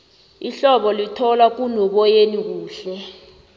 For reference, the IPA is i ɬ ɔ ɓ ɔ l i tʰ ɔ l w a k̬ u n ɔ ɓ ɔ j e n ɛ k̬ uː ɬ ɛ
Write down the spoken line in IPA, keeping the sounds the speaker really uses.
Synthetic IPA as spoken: i ɬ ɔ ɓ ɔ l i tʰ ɔ l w a k̬ u n ɔ ɓ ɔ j e n i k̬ uː ɬ ɛ